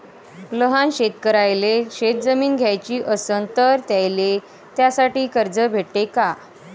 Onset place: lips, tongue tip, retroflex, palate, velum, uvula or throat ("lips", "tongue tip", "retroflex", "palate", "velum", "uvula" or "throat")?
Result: tongue tip